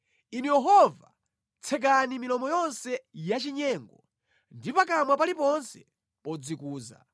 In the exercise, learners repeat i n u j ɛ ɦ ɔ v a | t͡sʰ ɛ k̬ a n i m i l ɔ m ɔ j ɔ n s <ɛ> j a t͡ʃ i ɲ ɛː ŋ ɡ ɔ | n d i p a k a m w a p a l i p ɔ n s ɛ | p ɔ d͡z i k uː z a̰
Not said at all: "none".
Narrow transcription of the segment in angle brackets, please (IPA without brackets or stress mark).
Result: ɛ